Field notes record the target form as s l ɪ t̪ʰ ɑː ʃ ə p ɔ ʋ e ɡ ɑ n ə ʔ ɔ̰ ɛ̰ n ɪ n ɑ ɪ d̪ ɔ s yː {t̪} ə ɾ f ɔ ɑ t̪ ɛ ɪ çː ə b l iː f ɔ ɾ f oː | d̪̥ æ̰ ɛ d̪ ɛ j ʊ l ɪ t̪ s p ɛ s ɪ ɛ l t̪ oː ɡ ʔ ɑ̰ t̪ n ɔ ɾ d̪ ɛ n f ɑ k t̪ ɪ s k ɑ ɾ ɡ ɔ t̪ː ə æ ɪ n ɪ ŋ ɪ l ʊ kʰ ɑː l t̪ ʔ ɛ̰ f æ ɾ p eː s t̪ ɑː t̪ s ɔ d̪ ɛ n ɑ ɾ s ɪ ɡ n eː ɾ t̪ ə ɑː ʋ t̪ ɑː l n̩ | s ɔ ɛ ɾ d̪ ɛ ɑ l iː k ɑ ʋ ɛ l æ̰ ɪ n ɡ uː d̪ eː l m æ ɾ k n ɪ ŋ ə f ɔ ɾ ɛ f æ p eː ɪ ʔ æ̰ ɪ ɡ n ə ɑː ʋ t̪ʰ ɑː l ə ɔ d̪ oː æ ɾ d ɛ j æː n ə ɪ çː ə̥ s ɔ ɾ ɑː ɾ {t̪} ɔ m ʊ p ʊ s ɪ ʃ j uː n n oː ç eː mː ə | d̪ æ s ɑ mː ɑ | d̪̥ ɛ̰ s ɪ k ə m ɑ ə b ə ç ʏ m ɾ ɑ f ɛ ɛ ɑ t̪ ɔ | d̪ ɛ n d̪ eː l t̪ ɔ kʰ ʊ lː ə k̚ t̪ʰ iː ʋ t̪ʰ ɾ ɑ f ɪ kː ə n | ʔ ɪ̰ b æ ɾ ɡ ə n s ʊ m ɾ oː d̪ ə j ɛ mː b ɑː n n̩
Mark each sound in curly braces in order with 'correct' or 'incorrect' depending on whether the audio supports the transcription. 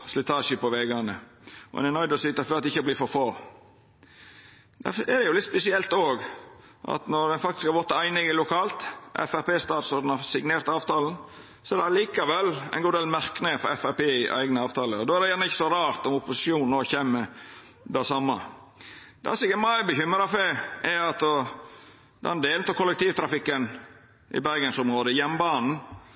correct, correct

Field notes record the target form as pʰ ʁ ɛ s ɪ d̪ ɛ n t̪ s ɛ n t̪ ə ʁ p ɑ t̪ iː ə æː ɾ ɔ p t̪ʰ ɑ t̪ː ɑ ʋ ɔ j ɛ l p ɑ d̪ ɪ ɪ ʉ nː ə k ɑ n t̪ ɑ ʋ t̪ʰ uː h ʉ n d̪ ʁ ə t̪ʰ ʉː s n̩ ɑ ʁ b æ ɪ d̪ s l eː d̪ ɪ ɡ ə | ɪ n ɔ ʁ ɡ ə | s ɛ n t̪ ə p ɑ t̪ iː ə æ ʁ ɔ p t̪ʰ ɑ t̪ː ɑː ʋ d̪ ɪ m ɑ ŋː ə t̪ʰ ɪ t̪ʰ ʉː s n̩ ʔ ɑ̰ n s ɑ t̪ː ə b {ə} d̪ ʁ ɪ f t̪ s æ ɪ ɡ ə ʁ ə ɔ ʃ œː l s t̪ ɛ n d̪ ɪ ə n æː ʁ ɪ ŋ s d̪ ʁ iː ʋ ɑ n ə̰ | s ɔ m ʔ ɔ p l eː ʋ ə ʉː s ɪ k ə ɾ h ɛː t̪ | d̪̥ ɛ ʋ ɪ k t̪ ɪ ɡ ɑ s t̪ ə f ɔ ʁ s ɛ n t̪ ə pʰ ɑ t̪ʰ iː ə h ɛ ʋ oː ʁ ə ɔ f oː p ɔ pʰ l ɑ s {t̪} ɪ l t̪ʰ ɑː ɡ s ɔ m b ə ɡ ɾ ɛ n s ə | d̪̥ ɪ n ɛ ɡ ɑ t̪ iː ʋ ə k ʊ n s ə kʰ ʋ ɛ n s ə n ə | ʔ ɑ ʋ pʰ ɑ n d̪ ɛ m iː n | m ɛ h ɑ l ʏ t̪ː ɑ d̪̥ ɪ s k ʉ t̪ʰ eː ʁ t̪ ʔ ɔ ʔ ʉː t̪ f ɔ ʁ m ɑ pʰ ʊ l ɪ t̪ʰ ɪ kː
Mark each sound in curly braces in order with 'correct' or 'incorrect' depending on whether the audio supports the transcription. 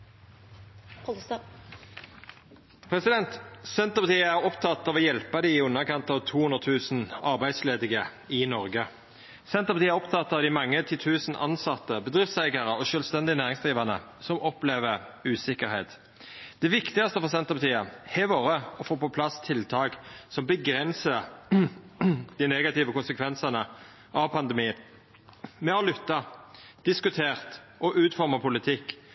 correct, incorrect

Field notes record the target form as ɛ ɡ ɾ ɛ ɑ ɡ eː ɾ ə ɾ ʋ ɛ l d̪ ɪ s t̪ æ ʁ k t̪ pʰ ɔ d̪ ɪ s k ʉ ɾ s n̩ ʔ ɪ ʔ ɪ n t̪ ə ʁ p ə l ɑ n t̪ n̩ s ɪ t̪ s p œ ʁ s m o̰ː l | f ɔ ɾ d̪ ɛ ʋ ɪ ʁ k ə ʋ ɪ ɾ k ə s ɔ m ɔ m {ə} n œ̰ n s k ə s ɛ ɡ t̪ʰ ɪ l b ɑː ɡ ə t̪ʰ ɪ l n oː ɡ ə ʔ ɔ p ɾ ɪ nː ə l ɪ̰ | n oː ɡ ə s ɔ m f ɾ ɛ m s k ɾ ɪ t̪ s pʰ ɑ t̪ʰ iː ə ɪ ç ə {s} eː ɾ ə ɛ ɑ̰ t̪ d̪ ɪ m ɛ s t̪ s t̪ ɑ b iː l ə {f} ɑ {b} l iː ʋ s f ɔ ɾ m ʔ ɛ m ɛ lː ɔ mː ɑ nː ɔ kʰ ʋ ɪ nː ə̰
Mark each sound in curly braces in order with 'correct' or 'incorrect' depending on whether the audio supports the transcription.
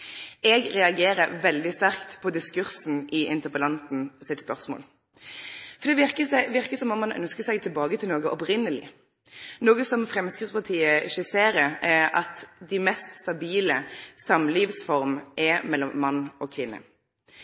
incorrect, correct, incorrect, incorrect

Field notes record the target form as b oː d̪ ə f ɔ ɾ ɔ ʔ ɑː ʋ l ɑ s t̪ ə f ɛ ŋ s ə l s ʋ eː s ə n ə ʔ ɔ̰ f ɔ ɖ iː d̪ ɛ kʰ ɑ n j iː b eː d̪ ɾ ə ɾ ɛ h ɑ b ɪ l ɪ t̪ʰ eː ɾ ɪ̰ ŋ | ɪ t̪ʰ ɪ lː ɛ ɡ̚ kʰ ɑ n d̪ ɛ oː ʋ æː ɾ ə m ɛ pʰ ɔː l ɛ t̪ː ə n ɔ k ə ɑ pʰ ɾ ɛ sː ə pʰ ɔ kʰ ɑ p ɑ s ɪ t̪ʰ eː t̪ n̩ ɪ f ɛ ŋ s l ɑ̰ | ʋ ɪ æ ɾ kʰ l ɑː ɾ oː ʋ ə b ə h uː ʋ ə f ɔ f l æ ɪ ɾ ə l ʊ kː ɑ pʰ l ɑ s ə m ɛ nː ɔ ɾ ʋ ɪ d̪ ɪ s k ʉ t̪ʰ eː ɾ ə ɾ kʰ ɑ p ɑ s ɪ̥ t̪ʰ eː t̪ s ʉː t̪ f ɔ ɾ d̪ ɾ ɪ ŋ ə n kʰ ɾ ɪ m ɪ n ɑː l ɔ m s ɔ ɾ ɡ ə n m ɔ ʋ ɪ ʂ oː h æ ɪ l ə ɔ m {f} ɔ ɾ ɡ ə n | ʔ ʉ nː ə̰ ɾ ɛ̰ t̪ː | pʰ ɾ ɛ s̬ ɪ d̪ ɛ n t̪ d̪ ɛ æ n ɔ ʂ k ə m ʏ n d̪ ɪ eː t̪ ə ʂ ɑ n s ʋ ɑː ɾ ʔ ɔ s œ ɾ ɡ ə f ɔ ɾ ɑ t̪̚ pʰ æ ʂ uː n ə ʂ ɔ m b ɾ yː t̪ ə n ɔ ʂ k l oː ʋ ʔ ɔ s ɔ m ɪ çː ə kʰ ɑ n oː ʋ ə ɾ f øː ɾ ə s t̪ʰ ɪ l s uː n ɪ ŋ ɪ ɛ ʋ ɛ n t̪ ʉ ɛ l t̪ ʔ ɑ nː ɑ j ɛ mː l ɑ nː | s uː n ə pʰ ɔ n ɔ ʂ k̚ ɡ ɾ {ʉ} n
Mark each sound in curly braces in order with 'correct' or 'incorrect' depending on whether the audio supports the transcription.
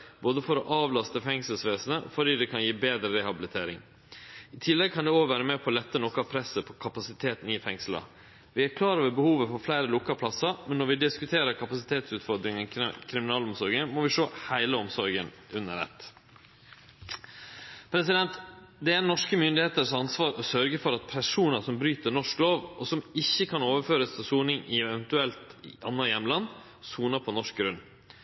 incorrect, correct

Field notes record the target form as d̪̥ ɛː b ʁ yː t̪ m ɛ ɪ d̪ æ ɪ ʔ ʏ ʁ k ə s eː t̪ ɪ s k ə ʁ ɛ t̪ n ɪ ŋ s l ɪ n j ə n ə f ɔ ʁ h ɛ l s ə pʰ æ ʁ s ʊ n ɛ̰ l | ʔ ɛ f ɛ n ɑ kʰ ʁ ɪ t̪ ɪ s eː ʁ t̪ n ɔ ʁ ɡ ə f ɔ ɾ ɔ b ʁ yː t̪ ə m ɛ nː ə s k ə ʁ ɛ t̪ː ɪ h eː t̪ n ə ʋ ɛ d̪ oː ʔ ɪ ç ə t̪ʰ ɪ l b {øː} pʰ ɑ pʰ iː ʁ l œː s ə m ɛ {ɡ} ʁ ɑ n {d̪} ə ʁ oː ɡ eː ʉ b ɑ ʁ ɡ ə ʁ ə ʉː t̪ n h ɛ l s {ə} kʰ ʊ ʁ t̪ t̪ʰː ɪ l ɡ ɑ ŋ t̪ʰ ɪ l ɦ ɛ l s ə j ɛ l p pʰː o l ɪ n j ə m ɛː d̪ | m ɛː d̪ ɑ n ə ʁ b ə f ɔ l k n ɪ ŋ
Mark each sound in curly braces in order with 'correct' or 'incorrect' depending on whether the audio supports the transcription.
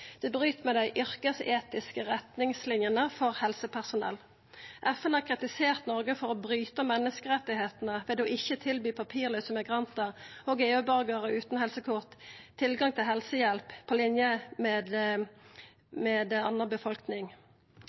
incorrect, correct, incorrect, correct

